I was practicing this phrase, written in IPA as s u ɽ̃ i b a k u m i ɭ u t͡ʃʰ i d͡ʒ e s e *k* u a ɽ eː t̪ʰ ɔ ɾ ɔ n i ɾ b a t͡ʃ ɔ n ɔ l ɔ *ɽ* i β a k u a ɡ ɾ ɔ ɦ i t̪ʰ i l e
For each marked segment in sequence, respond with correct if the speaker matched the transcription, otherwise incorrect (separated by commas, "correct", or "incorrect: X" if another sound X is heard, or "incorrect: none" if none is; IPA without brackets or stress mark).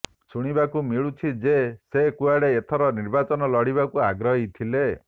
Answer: correct, correct